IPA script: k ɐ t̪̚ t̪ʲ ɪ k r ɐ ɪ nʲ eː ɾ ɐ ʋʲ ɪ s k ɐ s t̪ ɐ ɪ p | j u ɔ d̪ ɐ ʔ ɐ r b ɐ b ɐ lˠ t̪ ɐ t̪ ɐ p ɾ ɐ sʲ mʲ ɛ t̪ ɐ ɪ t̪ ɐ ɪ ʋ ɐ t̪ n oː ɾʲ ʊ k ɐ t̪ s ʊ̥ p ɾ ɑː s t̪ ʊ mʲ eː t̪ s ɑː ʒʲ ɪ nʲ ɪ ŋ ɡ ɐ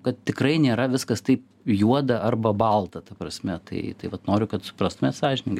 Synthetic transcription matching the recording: k ɐ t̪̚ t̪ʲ ɪ k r ɐ ɪ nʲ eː ɾ ɐ ʋʲ ɪ s k ɐ s t̪ ɐ ɪ p | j u ɔ d̪ ɐ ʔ ɐ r b ɐ b ɐ lˠ t̪ ɐ t̪ ɐ p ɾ ɐ sʲ mʲ ɛ t̪ ɐ ɪ t̪ ɐ ɪ ʋ ɐ t̪ n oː ɾʲ ʊ k ɐ t̪ s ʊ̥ p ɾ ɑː s t̪ ʊ mʲ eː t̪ s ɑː ʒʲ ɪ nʲ ɪ ŋ ɡ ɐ